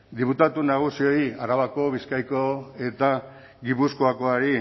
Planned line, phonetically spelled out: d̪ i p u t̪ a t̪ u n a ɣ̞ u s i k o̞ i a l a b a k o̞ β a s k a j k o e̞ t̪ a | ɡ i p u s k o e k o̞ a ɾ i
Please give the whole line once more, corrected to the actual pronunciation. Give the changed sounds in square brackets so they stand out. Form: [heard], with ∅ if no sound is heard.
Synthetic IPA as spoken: d̪ i p u t̪ a t̪ u n a ɣ̞ u s i [∅] o̞ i a [ɾ] a [β] a k o̞ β [i] s k a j k o e̞ t̪ a | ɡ i p u s k o [a] k o̞ a ɾ i